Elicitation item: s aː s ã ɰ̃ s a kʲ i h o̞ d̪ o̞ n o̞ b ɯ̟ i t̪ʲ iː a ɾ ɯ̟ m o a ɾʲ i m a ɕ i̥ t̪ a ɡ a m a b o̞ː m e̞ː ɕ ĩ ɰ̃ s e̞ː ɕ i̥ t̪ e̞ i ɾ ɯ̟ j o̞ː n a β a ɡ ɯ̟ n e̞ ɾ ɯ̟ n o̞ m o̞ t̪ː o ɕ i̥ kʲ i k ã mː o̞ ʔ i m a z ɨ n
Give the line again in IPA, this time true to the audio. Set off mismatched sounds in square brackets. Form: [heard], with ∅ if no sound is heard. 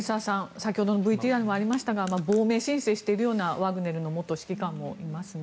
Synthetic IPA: s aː s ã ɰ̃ s a kʲ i h o̞ d̪ o̞ n o̞ b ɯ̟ i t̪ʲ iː a ɾ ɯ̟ m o a ɾʲ i m a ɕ i̥ t̪ a ɡ a m a b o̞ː m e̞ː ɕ ĩ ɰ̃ s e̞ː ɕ i̥ t̪ e̞ i ɾ ɯ̟ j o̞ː n a β a ɡ ɯ̟ n e̞ ɾ ɯ̟ n o̞ m o̞ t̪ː o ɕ i̥ kʲ i k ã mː o̞ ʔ i m a [s] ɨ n

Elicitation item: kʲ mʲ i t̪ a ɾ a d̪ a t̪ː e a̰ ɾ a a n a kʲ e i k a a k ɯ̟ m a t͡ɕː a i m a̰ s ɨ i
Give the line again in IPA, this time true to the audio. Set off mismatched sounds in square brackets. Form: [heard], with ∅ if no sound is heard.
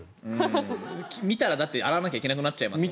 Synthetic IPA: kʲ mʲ i t̪ a ɾ a d̪ a t̪ː e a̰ ɾ a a n a kʲ [a] i k [e] a k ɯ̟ [n] a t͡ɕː a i m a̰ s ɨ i

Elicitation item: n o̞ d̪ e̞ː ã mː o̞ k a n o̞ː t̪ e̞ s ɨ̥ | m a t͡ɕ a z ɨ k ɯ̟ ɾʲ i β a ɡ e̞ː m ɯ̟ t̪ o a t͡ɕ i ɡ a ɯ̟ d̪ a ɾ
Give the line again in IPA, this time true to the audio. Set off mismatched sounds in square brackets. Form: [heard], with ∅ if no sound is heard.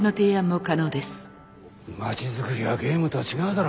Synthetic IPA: n o̞ [t̪] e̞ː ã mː o̞ k a n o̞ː [d̪] e̞ s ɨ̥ | m a t͡ɕ [i] z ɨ k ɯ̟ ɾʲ i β a ɡ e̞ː m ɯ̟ t̪ o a t͡ɕ i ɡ a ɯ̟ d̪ a ɾ

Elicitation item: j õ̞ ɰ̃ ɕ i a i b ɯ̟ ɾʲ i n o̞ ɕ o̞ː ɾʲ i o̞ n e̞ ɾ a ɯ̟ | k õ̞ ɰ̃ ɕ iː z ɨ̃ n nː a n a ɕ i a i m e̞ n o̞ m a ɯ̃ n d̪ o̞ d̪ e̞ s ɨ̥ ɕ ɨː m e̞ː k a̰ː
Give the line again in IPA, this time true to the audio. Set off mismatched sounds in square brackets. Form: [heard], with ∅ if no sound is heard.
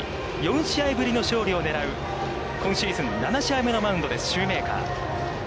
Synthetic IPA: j õ̞ ɰ̃ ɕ i a i b ɯ̟ ɾʲ i n o̞ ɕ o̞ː ɾʲ i o̞ n e̞ ɾ a ɯ̟ | k õ̞ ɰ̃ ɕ iː z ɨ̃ n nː a n a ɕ i a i m e̞ n o̞ m a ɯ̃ n d̪ o̞ d̪ e̞ s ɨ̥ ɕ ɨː m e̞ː k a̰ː

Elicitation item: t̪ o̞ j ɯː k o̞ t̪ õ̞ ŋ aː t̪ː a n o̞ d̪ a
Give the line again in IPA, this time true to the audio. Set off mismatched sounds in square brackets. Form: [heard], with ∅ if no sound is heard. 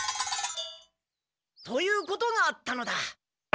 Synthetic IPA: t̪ o̞ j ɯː k o̞ t̪ [o̞] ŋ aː t̪ː a n o̞ d̪ a

